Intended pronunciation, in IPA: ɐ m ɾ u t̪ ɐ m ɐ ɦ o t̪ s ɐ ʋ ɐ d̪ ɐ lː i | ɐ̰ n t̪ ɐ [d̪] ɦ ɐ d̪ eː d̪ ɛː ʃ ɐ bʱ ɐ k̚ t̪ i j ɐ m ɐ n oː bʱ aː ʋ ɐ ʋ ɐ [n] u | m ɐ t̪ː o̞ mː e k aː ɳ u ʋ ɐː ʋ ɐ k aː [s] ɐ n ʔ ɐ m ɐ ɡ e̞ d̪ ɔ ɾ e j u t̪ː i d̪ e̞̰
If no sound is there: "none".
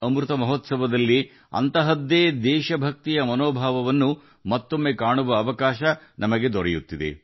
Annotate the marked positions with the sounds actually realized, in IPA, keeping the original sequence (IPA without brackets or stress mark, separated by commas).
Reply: none, nː, ʃ